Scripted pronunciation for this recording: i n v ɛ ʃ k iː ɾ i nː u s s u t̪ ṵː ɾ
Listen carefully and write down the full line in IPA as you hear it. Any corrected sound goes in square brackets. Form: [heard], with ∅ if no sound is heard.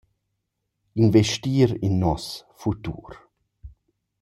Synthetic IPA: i n v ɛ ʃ [t] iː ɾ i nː [ɔ] s [f] u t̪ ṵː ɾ